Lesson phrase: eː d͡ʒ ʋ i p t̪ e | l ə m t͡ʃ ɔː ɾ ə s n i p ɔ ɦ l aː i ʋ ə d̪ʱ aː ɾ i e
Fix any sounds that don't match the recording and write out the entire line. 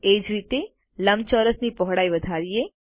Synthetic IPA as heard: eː d͡ʒ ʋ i t̪ e | l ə m t͡ʃ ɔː ɾ ə s n i p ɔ ɦ ɽ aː i ʋ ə d̪ʱ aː ɾ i e